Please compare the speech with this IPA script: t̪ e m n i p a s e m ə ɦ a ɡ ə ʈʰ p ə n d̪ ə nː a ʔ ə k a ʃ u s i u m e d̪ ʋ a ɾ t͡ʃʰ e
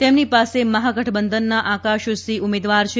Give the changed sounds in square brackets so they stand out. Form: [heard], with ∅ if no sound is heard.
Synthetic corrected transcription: t̪ e m n i p a s e m ə ɦ a ɡ ə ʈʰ [b] ə n d̪ ə nː a ʔ [a] k a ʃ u s i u m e d̪ ʋ a ɾ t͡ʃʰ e